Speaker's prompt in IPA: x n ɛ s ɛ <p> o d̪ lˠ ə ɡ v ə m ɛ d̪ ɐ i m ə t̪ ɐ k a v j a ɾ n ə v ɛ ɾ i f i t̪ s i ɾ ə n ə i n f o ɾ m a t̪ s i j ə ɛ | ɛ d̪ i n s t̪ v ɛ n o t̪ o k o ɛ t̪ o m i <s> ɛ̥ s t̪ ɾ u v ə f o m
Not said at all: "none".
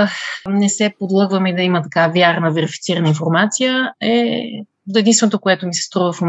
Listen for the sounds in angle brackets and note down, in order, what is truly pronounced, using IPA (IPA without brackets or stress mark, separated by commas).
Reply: p, s